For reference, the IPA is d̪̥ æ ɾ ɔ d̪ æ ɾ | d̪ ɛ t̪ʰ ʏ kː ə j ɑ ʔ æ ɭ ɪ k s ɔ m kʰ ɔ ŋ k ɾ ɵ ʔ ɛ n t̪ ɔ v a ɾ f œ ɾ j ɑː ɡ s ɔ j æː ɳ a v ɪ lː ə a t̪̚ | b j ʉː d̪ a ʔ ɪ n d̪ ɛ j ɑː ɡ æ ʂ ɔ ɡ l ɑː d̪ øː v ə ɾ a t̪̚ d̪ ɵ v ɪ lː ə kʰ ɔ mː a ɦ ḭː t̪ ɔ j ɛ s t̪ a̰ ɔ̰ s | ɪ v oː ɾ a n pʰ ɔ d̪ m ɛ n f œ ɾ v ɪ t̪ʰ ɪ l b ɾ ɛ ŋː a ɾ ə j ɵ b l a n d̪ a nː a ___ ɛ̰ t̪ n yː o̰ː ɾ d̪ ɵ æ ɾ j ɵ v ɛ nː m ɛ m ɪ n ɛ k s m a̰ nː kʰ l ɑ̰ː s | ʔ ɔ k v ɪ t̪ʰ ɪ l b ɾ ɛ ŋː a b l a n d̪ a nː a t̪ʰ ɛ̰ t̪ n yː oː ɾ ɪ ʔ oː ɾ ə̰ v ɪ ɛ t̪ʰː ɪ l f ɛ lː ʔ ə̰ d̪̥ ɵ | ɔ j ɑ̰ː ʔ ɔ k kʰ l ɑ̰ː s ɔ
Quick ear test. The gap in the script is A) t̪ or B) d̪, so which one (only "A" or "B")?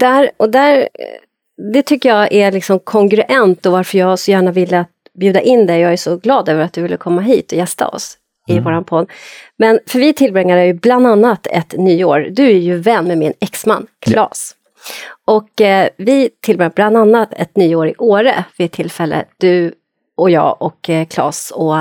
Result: A